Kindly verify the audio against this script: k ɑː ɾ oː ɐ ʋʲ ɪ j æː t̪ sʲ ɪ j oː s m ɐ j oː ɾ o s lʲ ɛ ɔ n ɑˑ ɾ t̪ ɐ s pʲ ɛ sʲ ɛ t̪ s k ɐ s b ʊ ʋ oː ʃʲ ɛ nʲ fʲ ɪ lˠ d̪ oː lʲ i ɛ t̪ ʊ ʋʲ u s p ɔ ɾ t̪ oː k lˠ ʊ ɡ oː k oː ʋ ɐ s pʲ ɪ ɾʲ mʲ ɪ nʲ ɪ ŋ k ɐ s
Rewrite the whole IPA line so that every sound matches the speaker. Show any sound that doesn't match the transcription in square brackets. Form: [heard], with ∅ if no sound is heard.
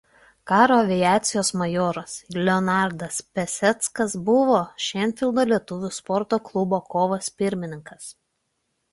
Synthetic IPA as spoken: k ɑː ɾ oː ɐ ʋʲ ɪ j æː t̪ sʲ ɪ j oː s m ɐ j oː ɾ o s lʲ ɛ ɔ n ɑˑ ɾ [d̪] ɐ s pʲ ɛ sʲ ɛ t̪ s k ɐ s b ʊ ʋ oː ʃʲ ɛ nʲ fʲ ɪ lˠ d̪ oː lʲ i ɛ t̪ ʊ ʋʲ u s p ɔ ɾ t̪ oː k lˠ ʊ [b] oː k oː ʋ ɐ s pʲ ɪ ɾʲ mʲ ɪ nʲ ɪ ŋ k ɐ s